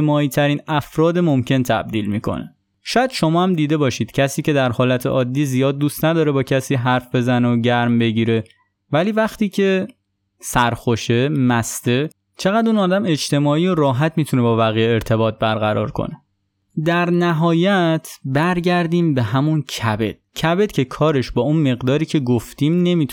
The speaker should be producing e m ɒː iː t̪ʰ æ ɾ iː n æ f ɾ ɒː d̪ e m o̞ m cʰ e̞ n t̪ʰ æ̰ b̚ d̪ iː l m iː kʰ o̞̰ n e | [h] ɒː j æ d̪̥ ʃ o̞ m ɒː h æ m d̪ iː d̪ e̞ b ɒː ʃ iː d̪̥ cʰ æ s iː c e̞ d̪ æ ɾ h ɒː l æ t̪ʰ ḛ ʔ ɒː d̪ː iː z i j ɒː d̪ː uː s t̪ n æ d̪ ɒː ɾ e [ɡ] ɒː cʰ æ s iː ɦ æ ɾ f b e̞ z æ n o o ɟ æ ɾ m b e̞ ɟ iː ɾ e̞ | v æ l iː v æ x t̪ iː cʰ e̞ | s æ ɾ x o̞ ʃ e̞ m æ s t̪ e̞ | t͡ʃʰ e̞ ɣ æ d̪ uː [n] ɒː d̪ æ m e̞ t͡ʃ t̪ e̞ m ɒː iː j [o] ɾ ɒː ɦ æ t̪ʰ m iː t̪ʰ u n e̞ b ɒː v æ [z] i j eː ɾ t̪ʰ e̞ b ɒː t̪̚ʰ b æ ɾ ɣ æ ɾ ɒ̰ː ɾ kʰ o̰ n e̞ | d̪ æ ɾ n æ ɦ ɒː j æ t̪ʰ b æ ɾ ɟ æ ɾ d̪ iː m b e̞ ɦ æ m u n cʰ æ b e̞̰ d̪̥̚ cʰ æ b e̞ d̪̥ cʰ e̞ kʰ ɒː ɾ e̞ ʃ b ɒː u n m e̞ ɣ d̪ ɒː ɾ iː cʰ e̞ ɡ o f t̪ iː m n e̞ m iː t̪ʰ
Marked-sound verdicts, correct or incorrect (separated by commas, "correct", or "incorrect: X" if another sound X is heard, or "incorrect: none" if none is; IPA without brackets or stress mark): incorrect: ʃ, incorrect: b, correct, correct, incorrect: ɣ